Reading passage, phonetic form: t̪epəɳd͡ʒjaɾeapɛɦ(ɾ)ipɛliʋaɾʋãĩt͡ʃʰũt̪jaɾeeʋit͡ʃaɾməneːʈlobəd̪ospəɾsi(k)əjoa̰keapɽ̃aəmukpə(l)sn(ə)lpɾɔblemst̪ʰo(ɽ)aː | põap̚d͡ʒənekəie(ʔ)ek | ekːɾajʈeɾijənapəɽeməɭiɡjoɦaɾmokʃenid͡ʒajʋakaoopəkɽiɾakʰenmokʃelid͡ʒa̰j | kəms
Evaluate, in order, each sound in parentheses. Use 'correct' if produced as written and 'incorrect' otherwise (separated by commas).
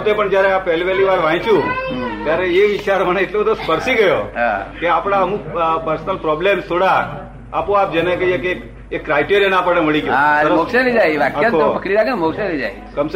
incorrect, incorrect, incorrect, correct, correct, incorrect